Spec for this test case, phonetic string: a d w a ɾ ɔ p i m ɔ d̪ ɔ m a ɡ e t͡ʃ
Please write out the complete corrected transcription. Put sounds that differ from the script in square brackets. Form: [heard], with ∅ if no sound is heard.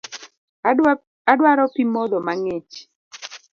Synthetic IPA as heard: a d w a ɾ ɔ p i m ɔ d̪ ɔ m a [ŋ] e t͡ʃ